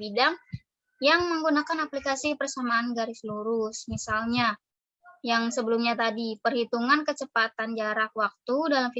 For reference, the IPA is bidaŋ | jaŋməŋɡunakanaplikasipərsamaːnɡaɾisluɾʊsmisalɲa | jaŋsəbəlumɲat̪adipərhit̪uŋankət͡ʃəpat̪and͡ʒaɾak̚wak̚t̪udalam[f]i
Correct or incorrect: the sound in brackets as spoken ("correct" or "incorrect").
correct